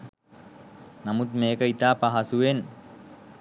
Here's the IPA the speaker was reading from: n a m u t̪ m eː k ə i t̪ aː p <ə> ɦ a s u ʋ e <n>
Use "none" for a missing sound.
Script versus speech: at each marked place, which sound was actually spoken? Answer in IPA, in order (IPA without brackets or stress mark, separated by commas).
a, n